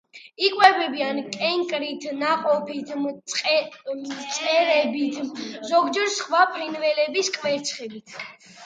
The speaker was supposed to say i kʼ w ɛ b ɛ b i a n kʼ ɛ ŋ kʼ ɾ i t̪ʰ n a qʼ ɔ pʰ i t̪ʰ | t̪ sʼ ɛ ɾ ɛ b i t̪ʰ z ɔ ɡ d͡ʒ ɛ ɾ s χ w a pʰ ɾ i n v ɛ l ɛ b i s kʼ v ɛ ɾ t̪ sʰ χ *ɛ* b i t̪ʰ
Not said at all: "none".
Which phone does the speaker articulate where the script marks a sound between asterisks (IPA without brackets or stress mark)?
ɛ